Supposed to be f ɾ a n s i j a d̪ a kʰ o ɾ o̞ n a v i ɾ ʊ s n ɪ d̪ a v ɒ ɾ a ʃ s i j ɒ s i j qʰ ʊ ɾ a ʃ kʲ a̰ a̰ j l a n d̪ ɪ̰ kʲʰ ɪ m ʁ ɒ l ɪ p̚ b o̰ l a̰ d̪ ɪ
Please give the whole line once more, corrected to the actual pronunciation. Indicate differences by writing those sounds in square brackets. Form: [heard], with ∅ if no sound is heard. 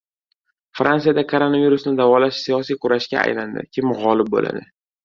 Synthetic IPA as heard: f ɾ a n s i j a d̪ a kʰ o ɾ o̞ n a v i ɾ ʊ s n ɪ d̪ a v ɒ [l] a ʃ s i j ɒ s i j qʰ ʊ ɾ a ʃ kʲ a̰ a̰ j l a n d̪ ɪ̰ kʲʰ ɪ m ʁ ɒ l ɪ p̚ b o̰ l a̰ d̪ ɪ